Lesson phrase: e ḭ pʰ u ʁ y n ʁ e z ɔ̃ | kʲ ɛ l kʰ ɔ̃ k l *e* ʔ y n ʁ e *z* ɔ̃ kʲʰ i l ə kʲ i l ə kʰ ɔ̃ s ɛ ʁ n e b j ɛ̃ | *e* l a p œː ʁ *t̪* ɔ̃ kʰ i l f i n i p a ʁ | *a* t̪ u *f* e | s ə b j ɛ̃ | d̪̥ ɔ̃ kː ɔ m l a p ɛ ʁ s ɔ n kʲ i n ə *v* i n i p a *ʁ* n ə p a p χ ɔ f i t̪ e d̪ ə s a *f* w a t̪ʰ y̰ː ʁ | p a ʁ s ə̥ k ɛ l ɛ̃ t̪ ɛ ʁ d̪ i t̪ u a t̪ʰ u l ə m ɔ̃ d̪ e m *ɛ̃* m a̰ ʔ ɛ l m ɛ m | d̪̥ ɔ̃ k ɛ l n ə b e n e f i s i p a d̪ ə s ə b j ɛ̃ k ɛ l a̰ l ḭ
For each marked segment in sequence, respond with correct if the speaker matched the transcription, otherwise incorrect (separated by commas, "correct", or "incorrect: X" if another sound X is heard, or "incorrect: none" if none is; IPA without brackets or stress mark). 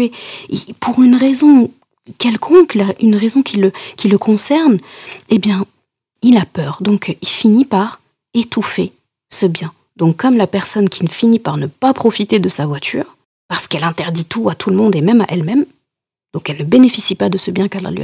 incorrect: a, correct, incorrect: i, incorrect: d̪, incorrect: e, correct, incorrect: f, correct, incorrect: v, incorrect: ɛ